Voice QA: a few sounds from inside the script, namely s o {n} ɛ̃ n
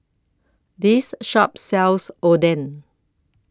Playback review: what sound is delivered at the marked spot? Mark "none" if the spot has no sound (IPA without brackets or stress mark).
d